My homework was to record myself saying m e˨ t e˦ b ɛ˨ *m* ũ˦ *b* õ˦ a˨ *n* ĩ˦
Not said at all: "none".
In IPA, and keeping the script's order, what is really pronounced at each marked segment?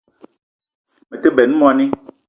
n, m, n

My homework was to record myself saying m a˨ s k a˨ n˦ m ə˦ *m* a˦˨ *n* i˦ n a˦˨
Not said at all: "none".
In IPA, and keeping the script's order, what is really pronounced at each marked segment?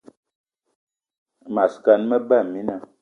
b, m

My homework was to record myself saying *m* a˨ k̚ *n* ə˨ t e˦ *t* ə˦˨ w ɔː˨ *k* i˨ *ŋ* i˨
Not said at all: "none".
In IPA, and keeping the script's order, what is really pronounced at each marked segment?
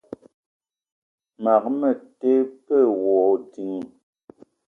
m, m, p, t, ŋ

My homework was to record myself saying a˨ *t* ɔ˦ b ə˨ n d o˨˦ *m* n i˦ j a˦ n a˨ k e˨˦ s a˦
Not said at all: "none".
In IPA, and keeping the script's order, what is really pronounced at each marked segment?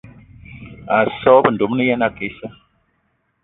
s, m

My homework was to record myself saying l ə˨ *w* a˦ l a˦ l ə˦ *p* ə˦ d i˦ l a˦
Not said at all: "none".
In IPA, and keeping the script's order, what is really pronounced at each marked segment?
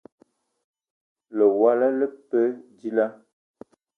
w, p

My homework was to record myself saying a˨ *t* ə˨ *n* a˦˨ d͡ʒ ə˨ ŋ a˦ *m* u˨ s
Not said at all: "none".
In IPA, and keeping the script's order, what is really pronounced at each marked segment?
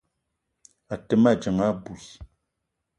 t, m, b

